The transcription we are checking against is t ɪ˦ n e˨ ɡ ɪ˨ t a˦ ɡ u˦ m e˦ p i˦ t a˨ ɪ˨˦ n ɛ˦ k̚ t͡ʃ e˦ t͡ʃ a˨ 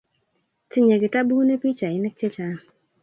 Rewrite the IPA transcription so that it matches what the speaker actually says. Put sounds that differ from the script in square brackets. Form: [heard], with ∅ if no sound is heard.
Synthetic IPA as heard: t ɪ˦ [ɲ] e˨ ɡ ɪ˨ t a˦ [b] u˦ [n] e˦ p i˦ [t͡ʃ] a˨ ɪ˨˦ n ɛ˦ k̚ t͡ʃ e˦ t͡ʃ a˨